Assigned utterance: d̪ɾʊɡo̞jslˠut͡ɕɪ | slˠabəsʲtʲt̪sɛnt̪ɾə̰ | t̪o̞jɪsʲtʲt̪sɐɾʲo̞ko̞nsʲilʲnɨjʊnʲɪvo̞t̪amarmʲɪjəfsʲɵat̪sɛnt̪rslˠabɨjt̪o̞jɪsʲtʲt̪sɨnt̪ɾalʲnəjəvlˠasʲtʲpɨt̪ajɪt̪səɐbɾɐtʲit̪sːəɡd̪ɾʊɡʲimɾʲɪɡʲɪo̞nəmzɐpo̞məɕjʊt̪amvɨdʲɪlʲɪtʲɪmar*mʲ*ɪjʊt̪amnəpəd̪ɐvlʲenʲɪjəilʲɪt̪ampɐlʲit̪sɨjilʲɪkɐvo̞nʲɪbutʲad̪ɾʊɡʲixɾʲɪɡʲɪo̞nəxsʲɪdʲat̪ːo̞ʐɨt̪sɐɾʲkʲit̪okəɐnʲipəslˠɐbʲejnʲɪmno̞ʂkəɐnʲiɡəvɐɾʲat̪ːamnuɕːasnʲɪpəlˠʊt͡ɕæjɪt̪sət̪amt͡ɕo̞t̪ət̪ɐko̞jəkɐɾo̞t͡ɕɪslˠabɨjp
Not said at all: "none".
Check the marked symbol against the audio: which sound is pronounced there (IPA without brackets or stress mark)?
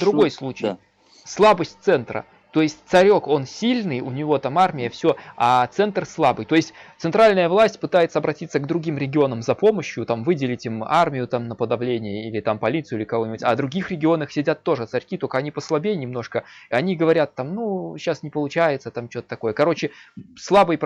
mʲ